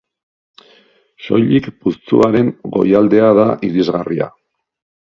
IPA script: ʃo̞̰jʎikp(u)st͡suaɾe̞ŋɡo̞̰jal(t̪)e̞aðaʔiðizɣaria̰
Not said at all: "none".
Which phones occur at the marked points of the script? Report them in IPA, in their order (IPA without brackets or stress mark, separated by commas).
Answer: u, d̪